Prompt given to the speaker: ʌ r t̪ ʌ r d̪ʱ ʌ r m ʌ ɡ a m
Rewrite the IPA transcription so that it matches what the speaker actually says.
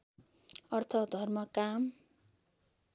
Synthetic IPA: ʌ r t̪ʰ ʌ d̪ʱ ʌ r m ʌ k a m